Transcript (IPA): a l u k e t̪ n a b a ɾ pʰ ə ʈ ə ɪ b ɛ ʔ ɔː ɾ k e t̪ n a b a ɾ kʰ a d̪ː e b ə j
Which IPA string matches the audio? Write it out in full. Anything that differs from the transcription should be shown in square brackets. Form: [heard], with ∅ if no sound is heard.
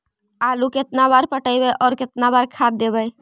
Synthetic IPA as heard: a l u k e t̪ n a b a ɾ [p] ə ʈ ə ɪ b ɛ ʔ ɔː ɾ k e t̪ n a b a ɾ kʰ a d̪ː e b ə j